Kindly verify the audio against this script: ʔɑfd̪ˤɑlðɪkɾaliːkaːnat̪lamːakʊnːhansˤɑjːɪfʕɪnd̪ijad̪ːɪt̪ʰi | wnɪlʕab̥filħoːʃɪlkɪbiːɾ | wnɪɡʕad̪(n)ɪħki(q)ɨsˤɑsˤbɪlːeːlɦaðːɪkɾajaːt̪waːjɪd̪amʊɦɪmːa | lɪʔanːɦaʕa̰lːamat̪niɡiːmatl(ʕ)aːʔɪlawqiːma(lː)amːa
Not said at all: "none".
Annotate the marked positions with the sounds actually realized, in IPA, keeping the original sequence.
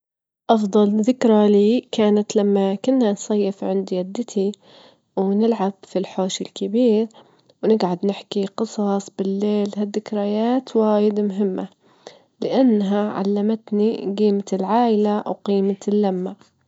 n, q, ʕ, lː

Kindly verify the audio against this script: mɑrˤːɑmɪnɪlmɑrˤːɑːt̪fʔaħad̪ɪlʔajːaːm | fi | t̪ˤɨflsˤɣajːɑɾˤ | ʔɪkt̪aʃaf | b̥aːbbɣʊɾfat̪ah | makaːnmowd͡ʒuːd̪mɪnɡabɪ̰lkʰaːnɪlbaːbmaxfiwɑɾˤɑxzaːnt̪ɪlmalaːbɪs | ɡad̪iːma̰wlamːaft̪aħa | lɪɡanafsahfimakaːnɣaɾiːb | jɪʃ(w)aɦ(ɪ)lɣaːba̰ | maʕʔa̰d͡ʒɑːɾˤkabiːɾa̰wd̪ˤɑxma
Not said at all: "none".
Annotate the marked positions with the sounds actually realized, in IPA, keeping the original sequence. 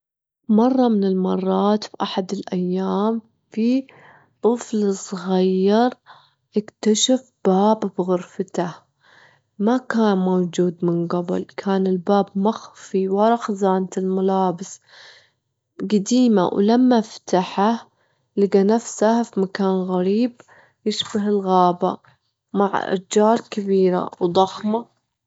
b, ɪ

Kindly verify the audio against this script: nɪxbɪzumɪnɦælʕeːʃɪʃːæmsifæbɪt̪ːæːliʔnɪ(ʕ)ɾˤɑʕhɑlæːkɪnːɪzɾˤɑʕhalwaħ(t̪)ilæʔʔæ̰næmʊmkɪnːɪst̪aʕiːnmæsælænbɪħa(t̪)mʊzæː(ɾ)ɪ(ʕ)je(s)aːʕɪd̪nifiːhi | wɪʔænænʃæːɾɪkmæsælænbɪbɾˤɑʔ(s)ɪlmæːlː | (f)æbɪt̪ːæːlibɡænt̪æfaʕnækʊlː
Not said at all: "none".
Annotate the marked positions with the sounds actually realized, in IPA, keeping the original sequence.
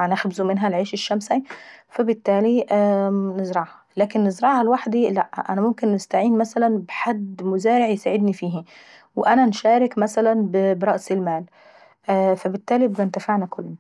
z, d̪, d̪, ɾ, ʕ, s, s, f

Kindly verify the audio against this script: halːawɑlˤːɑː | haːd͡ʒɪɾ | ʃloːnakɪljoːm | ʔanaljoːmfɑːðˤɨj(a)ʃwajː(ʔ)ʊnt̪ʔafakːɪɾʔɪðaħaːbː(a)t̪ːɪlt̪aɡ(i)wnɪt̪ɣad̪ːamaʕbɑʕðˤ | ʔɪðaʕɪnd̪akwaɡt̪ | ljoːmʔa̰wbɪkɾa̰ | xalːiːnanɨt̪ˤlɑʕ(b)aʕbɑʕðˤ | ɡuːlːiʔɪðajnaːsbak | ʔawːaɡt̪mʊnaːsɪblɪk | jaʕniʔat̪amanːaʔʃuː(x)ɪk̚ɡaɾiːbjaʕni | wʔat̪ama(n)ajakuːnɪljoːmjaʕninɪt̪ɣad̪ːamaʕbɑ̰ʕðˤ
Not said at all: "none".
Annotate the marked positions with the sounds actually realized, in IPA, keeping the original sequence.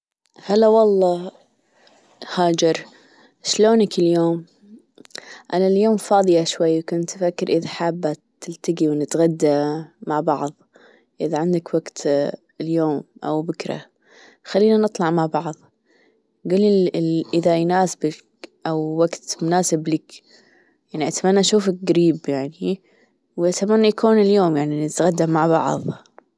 a, k, a, i, m, f, nː

